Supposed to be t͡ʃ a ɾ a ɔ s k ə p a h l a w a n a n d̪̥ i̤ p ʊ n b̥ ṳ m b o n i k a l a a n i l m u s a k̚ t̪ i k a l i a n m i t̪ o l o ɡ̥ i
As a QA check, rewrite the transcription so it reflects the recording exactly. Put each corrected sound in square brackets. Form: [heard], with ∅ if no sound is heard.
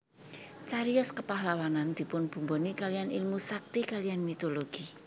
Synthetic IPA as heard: t͡ʃ a ɾ [i] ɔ s k ə p a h l a w a n a n d̪̥ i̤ p ʊ n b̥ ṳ m b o n i k a l [i] a n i l m u s a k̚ t̪ i k a l i a n m i t̪ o l o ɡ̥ i